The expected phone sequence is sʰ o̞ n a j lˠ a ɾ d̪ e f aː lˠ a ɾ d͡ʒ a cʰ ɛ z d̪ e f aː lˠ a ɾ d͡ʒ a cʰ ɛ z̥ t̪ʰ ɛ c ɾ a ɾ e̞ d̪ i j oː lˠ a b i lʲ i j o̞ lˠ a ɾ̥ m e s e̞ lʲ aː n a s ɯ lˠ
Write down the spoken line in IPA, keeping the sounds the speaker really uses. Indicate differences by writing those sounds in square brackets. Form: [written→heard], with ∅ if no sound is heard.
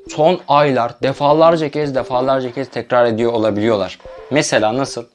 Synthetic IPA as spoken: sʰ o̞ n a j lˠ a ɾ d̪ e f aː lˠ a ɾ d͡ʒ a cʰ ɛ z d̪ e f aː lˠ a ɾ d͡ʒ a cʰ ɛ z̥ t̪ʰ ɛ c ɾ a ɾ e̞ d̪ i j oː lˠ a b i lʲ i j o̞ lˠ a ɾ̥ m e s e̞ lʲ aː n a s ɯ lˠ